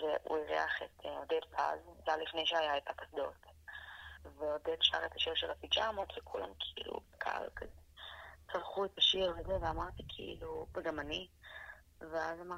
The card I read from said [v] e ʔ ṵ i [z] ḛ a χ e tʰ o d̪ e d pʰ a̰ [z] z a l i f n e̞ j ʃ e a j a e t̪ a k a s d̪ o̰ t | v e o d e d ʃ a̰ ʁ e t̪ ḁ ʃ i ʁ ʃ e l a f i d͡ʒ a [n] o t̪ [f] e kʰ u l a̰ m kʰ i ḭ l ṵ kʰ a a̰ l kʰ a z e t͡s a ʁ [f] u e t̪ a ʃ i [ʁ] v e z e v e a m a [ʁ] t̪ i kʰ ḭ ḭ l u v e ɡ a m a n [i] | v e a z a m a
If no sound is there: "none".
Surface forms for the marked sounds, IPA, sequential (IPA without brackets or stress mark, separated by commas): v, ʁ, z, m, v, χ, ʁ, ʁ, i